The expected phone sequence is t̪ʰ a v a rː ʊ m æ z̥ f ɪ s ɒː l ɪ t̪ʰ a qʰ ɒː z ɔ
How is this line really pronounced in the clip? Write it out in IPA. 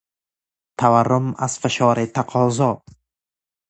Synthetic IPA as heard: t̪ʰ a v a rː ʊ m a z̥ f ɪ ʃ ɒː ɾ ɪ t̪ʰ a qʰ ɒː z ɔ